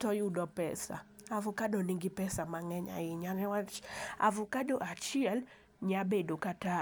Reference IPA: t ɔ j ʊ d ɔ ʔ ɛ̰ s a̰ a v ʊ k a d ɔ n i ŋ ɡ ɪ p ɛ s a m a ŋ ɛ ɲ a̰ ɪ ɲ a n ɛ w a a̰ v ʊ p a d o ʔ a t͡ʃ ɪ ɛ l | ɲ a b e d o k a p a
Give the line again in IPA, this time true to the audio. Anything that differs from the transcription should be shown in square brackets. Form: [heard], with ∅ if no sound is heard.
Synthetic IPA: t ɔ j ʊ d ɔ [p] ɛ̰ s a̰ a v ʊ k a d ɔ n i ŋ ɡ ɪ p ɛ s a m a ŋ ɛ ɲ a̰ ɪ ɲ a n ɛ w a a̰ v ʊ [k] a d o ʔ a t͡ʃ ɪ ɛ l | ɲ a b e d o k a [t] a